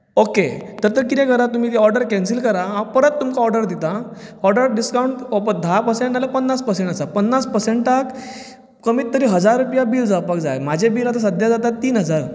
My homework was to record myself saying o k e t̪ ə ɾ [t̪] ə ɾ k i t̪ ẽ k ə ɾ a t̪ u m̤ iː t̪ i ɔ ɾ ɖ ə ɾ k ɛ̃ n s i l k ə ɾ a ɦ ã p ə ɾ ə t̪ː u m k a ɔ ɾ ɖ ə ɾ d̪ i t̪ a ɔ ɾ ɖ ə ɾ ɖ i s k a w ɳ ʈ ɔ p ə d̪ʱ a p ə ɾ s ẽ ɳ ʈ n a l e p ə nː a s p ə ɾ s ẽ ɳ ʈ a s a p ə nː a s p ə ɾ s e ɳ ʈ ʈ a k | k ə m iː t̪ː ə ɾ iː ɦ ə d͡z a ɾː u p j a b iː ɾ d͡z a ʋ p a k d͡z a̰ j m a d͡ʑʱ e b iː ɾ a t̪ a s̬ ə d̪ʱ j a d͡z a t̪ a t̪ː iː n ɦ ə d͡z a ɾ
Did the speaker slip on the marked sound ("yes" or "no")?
no